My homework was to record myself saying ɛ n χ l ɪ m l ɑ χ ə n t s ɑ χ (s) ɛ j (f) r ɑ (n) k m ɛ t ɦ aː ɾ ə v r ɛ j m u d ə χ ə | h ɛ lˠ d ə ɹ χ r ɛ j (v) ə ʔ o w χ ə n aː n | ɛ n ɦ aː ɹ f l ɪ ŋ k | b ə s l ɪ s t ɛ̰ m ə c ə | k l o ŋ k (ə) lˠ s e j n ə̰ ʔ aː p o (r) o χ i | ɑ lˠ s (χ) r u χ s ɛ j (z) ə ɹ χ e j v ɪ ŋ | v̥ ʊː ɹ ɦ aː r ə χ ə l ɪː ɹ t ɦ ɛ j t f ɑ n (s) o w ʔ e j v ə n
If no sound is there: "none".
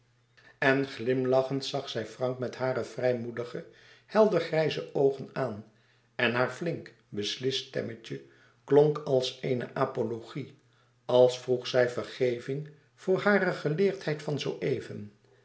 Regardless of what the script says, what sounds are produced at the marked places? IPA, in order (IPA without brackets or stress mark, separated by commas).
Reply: s, f, ŋ, z, ɑ, l, f, v, z